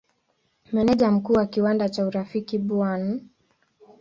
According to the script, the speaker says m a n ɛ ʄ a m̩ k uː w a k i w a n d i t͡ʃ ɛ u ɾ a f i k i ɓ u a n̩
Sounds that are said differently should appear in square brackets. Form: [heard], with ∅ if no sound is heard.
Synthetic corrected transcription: m [ɛ] n ɛ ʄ a m̩ k uː w a k i w a n d [a] t͡ʃ [a] u ɾ a f i k i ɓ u a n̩